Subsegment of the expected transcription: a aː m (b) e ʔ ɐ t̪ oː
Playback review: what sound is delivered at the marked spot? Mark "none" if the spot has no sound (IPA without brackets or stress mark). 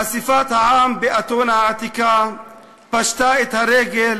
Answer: b